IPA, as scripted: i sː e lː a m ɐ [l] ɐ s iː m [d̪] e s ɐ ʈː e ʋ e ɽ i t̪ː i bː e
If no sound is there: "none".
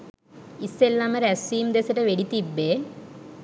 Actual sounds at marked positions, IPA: ɾ, d̪

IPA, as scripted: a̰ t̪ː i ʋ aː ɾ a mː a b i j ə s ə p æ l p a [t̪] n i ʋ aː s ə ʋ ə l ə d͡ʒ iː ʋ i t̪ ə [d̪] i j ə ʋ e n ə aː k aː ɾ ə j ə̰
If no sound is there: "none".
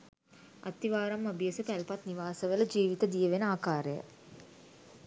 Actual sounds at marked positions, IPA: t̪, d̪

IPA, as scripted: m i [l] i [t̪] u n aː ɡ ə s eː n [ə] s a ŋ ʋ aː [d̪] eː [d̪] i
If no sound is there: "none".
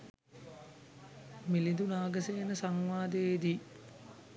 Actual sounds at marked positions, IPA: l, d̪, ə, d̪, d̪

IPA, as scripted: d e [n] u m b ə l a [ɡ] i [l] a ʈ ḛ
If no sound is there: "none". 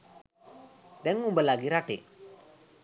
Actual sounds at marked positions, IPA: ŋ, ɡ, ɾ

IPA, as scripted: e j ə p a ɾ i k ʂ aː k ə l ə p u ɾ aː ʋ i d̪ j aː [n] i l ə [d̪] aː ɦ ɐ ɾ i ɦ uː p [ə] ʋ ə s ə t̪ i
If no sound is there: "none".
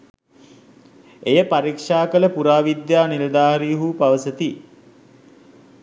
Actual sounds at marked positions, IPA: n, d̪, a

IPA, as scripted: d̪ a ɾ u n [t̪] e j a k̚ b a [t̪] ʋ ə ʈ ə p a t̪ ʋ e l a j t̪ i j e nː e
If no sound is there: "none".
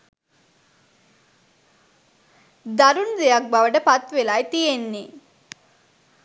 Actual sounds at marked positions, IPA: d̪, none

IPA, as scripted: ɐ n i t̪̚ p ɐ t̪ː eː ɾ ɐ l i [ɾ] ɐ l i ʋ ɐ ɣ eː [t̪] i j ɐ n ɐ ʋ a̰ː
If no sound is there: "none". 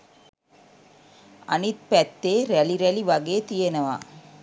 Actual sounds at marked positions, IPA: ɾ, t̪

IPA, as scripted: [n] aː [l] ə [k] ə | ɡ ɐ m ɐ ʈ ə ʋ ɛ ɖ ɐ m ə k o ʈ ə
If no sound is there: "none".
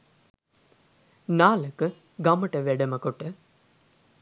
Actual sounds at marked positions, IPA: n, l, k

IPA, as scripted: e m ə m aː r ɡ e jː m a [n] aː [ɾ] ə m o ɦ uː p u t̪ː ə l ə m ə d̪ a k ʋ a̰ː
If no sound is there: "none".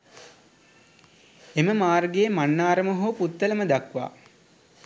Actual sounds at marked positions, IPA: nː, ɾ

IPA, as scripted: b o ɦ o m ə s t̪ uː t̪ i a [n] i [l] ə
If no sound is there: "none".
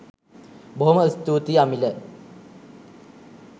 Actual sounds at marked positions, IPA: m, l

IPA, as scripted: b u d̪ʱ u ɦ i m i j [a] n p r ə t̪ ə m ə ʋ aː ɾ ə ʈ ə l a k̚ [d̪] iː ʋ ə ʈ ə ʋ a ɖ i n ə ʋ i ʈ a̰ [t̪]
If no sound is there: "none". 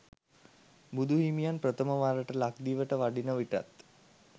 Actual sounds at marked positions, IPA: a, d̪, t̪

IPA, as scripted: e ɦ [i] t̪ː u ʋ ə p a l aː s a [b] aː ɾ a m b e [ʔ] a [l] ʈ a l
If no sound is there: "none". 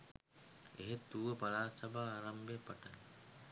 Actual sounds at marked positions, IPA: e, b, p, none

